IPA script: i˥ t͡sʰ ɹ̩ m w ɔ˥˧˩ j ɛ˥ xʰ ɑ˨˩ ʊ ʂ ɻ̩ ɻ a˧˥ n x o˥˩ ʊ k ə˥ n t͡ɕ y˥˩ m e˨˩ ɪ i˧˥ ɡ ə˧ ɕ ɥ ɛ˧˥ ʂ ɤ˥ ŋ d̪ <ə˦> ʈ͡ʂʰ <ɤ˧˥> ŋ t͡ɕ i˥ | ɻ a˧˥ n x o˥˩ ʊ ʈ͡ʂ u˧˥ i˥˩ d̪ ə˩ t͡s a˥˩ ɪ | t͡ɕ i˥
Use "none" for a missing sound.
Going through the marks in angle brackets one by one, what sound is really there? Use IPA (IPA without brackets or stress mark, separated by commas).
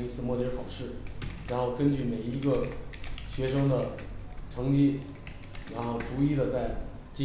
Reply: ə˨, ɤ˧˥